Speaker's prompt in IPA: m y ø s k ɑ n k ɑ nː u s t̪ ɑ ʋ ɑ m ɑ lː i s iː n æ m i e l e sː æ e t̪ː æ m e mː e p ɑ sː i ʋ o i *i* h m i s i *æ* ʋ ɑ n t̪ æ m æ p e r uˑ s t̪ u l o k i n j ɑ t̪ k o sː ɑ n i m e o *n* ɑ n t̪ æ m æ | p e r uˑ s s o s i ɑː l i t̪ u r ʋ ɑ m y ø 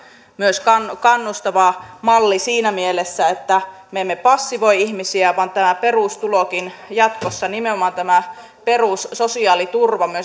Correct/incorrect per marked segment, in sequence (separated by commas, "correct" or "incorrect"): correct, correct, incorrect